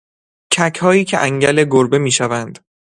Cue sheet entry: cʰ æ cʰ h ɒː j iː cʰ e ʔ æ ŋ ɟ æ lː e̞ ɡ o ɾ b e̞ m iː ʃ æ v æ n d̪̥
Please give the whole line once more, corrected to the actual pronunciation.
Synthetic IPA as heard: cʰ æ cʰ h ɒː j iː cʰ e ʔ æ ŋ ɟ æ l e̞ ɡ o ɾ b e̞ m iː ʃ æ v æ n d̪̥